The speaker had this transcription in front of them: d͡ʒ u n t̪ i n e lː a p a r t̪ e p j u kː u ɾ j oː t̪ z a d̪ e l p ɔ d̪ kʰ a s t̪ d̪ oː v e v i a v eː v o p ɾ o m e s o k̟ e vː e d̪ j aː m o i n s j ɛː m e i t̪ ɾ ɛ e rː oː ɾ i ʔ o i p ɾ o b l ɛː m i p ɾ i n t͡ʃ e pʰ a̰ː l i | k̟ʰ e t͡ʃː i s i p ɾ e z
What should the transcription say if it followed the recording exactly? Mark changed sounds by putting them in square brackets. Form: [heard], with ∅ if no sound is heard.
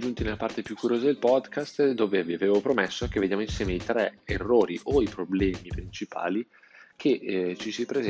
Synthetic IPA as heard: d͡ʒ u n t̪ i n e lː a p a r t̪ e p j u kː u ɾ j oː [∅] z a d̪ e l p ɔ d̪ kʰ a s t̪ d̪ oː v e v i a v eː v o p ɾ o m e [sː] o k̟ e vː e d̪ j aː m o i n s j ɛː m e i t̪ ɾ ɛ e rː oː ɾ i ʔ o i p ɾ o b l ɛː m i p ɾ i n t͡ʃ [i] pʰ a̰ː l i | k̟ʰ e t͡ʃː i s i p ɾ e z